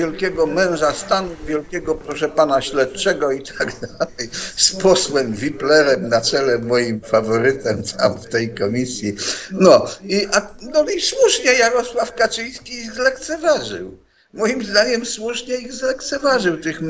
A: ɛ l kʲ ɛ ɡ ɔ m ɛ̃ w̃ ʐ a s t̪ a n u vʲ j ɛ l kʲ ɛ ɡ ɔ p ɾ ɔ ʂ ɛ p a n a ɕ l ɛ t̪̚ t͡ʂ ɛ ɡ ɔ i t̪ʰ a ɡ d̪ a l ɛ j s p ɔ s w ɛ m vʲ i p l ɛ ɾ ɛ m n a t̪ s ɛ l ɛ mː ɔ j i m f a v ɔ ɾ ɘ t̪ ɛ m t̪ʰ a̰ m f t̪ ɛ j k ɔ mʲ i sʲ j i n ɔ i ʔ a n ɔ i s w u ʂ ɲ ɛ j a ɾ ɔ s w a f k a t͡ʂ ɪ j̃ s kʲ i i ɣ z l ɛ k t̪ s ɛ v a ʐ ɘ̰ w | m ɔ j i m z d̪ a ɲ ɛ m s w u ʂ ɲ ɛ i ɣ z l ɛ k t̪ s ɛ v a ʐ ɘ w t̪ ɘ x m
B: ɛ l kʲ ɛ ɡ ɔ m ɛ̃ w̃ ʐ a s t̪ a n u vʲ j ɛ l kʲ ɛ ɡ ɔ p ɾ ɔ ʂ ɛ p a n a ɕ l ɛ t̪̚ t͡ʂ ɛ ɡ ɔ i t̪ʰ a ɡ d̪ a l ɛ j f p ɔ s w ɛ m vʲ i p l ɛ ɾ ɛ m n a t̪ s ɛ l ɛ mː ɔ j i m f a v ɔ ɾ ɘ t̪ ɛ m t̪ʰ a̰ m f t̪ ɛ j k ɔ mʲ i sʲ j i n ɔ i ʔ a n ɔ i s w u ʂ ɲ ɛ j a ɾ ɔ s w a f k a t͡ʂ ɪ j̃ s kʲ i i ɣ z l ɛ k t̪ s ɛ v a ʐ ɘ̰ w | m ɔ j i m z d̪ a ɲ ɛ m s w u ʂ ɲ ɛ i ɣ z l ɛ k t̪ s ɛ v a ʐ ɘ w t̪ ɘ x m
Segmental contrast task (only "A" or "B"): A